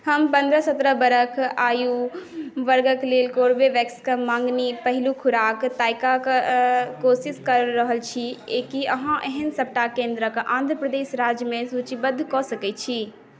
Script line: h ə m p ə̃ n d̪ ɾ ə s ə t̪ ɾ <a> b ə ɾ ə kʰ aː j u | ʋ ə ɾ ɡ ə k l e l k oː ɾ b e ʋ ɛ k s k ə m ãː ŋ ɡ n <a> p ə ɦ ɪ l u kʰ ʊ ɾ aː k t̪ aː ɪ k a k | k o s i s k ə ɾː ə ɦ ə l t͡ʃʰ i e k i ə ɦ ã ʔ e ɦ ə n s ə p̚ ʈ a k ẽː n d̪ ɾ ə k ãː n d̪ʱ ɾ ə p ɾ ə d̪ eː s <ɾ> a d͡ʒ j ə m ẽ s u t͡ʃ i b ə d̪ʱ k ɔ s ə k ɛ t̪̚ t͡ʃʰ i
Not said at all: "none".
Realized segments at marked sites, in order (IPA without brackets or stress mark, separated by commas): ə, i, ɾ